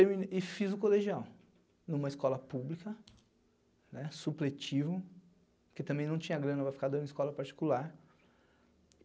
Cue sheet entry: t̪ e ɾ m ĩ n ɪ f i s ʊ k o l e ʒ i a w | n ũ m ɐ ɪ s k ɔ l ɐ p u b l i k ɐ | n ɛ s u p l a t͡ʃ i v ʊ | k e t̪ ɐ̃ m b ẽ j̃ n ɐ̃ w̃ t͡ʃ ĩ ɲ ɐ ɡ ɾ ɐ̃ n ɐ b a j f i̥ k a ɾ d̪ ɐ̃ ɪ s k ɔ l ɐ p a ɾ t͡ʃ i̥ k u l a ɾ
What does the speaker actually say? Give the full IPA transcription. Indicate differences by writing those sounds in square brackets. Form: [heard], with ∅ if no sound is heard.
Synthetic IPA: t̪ e ɾ m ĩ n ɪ f i [z] ʊ k o l e ʒ i a w | n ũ m ɐ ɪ s k ɔ l ɐ p u b l i k ɐ | n ɛ s u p l [e] t͡ʃ i v ʊ | k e t̪ ɐ̃ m b ẽ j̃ n ɐ̃ w̃ t͡ʃ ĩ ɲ ɐ ɡ ɾ ɐ̃ n ɐ [v] a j f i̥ k a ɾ d̪ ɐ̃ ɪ s k ɔ l ɐ p a ɾ t͡ʃ i̥ k u l a ɾ